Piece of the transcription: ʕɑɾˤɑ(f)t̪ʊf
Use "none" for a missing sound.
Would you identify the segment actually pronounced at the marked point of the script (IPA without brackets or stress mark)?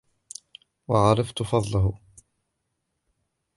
f